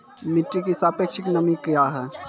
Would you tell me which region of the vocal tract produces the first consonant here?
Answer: lips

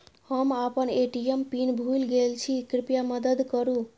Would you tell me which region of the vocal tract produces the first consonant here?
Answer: throat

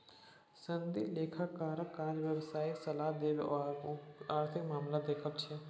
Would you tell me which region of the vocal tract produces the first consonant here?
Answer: tongue tip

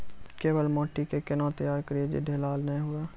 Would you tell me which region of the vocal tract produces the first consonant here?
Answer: velum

